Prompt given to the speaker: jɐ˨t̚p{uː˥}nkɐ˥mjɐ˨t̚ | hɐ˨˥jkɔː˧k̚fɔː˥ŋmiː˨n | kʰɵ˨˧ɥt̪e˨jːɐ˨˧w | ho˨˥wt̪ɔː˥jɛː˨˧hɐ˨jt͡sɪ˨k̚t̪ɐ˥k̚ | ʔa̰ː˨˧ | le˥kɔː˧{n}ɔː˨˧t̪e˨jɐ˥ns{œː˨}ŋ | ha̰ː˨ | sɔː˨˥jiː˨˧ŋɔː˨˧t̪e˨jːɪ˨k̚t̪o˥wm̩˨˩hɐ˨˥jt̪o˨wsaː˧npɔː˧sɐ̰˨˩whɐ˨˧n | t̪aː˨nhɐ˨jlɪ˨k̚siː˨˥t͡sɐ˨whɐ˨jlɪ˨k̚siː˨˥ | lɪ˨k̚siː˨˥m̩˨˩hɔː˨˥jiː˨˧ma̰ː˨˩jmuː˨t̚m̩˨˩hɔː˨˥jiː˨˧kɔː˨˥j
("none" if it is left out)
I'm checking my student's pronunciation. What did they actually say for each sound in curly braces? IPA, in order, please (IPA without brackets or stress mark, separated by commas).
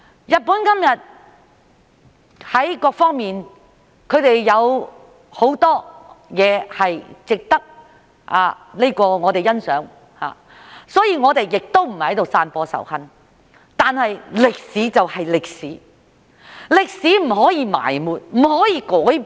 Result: uː˨˥, ŋ, œː˨˥